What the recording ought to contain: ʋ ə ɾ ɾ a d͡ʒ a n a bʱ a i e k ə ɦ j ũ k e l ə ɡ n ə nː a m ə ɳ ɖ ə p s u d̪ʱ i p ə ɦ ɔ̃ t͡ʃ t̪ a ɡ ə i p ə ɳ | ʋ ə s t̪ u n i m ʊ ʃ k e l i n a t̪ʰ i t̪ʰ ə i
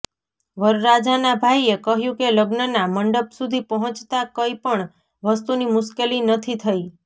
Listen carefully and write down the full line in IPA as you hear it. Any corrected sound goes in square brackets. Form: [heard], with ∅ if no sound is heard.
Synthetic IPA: ʋ ə ɾ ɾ a d͡ʒ a n a bʱ a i e k ə ɦ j ũ k e l ə ɡ n ə [n] a m ə ɳ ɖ ə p s u d̪ʱ i p ə ɦ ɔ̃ t͡ʃ t̪ a [k] ə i p ə ɳ | ʋ ə s t̪ u n i m ʊ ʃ k e l i n [ə] t̪ʰ i t̪ʰ ə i

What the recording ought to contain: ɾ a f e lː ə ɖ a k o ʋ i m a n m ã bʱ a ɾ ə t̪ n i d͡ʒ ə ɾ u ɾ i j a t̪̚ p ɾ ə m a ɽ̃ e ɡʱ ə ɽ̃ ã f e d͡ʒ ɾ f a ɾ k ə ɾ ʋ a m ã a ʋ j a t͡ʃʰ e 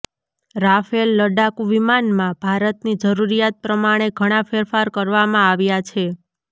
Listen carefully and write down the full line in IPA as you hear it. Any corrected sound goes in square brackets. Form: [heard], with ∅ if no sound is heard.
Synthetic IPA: ɾ a f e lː ə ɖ a k [u] ʋ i m a n m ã bʱ a ɾ ə t̪ n i d͡ʒ ə ɾ u ɾ i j a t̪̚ p ɾ ə m a ɽ̃ e ɡʱ ə ɽ̃ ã f e [∅] ɾ f a ɾ k ə ɾ ʋ a m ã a ʋ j a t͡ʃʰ e

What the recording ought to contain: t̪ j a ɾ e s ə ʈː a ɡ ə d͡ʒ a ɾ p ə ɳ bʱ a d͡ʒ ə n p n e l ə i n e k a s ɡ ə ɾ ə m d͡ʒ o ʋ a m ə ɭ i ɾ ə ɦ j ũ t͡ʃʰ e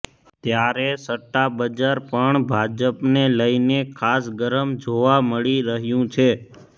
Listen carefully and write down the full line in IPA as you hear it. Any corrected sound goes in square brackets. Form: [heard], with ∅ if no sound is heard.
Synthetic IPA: t̪ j a ɾ e s ə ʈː a [b] ə d͡ʒ a ɾ p ə ɳ bʱ a d͡ʒ ə [∅] p n e l ə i n e [kʰ] a s ɡ ə ɾ ə m d͡ʒ o ʋ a m ə ɭ i ɾ ə ɦ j ũ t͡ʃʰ e

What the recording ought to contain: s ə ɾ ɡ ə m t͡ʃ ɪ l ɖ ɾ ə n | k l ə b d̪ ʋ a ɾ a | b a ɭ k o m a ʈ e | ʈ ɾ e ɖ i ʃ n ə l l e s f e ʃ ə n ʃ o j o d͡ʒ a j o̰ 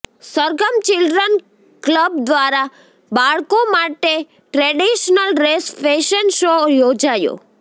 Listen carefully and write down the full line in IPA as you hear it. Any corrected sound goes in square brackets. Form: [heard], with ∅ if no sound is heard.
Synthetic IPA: s ə ɾ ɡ ə m t͡ʃ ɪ l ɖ ɾ ə n | k l ə b d̪ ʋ a ɾ a | b a ɭ k o m a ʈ e | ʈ ɾ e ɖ i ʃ n ə l [ɾ] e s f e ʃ ə n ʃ o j o d͡ʒ a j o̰

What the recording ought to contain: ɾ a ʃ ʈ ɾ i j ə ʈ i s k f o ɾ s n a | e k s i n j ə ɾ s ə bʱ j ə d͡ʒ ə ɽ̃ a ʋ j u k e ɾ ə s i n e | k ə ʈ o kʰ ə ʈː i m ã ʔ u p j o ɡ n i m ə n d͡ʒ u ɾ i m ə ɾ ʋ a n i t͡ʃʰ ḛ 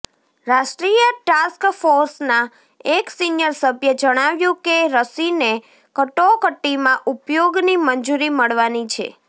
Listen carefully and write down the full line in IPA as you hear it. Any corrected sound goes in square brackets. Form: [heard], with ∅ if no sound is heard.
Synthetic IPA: ɾ a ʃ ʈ ɾ i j ə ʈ [a] s k f o ɾ s n a | e k s i n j ə ɾ s ə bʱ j ə d͡ʒ ə ɽ̃ a ʋ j [ũ] k e ɾ ə s i n e | k ə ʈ o [k] ə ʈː i m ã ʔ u p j o ɡ n i m ə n d͡ʒ u ɾ i m ə [ɭ] ʋ a n i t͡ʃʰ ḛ

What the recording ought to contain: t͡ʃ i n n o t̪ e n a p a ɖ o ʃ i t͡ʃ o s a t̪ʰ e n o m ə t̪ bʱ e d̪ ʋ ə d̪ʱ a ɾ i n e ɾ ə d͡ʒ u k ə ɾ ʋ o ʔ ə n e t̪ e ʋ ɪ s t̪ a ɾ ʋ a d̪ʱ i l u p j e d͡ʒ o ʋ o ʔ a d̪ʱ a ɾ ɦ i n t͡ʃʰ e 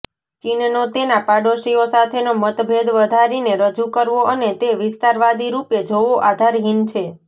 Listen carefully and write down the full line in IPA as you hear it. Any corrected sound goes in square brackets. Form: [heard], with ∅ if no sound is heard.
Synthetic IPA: t͡ʃ i n n o t̪ e n a p a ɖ o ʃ i [∅] o s a t̪ʰ e n o m ə t̪ bʱ e d̪ ʋ ə d̪ʱ a ɾ i n e ɾ ə d͡ʒ u k ə ɾ ʋ o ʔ ə n e t̪ e ʋ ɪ s t̪ a ɾ ʋ a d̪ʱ i [ɾ] u p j e d͡ʒ o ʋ o ʔ a d̪ʱ a ɾ ɦ i n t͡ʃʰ e

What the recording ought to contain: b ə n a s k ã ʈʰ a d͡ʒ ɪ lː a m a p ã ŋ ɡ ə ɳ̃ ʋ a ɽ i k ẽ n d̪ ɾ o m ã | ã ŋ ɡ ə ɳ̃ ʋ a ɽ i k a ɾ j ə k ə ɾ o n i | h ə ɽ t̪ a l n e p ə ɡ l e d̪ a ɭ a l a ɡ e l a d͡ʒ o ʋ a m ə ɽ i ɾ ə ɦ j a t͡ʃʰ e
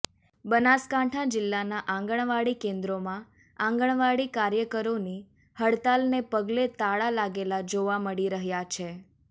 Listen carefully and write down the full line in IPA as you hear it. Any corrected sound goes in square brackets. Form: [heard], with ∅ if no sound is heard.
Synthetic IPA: b ə n a s k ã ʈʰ a d͡ʒ ɪ lː a [n] a [ʔ] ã ŋ ɡ ə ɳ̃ ʋ a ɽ i k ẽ n d̪ ɾ o m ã | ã ŋ ɡ ə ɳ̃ ʋ a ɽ i k a ɾ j ə k ə ɾ o n i | h ə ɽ t̪ a l n e p ə ɡ l e [t̪] a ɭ a l a ɡ e l a d͡ʒ o ʋ a m ə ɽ i ɾ ə ɦ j a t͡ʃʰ e

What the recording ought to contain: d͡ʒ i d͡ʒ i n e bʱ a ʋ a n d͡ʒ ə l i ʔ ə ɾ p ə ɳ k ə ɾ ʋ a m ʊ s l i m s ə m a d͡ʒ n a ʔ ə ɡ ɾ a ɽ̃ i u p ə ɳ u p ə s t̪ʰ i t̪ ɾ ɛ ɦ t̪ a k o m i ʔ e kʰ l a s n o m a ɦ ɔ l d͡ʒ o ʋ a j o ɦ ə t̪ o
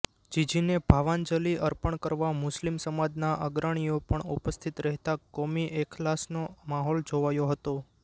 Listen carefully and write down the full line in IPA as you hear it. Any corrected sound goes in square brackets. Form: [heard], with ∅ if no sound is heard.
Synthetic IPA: d͡ʒ i d͡ʒ i n e bʱ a ʋ a n d͡ʒ ə l i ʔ ə ɾ p ə ɳ k ə ɾ ʋ a m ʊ s l i m s ə m a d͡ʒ n a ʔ ə ɡ ɾ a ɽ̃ i [o] p ə ɳ u p ə s t̪ʰ i t̪ ɾ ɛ ɦ t̪ a k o m i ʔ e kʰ l a s n o m a ɦ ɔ l d͡ʒ o ʋ a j o ɦ ə t̪ o

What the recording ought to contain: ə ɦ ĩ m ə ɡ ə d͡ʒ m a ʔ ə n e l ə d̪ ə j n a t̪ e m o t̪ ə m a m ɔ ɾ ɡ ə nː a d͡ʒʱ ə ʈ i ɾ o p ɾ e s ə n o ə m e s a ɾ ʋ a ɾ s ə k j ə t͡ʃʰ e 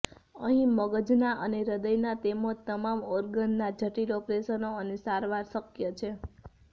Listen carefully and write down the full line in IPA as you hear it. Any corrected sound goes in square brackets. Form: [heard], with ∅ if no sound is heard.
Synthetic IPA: ə ɦ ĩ m ə ɡ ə d͡ʒ [n] a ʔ ə n e [ɾ] ə d̪ ə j n a t̪ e m o t̪ ə m a m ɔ ɾ ɡ ə nː a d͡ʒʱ ə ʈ i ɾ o p ɾ e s ə n o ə [n] e s a ɾ ʋ a ɾ s ə k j ə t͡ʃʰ e

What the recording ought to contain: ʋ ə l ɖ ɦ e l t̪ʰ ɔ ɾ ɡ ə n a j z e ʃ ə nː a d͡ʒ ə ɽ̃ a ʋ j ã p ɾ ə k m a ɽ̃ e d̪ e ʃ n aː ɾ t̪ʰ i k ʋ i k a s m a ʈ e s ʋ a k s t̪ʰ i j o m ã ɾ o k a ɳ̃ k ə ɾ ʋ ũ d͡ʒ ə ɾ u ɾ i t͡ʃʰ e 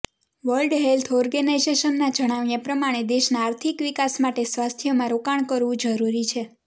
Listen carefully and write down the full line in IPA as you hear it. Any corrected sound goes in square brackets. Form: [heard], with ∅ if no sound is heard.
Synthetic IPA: ʋ ə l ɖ ɦ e l t̪ʰ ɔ ɾ ɡ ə n a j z e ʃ ə nː a d͡ʒ ə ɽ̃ a ʋ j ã p ɾ ə [∅] m a ɽ̃ e d̪ e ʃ n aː ɾ t̪ʰ i k ʋ i k a s m a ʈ e s ʋ a [∅] s t̪ʰ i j o m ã ɾ o k a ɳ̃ k ə ɾ ʋ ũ d͡ʒ ə ɾ u ɾ i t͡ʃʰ e

